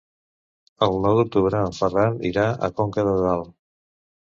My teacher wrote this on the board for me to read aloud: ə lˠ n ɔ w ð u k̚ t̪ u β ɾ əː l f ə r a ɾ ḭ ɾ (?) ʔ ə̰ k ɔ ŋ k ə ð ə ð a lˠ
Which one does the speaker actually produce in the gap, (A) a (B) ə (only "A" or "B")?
A